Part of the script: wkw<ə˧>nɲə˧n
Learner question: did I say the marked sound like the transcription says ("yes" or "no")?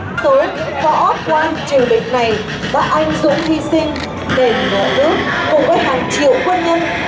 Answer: yes